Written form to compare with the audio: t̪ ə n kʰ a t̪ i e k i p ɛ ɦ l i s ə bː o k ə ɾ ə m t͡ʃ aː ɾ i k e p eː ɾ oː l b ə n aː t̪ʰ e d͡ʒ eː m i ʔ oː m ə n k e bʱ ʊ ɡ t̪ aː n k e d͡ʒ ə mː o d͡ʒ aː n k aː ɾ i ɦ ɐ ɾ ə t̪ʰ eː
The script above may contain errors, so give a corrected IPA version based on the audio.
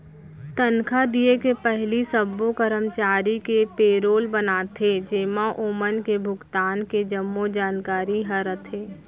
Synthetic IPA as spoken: t̪ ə n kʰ a d̪ i e k e p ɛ ɦ l i s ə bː o k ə ɾ ə m t͡ʃ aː ɾ i k e p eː ɾ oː l b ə n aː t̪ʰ e d͡ʒ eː m a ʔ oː m ə n k e bʱ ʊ ɡ t̪ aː n k e d͡ʒ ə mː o d͡ʒ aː n k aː ɾ i ɦ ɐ ɾ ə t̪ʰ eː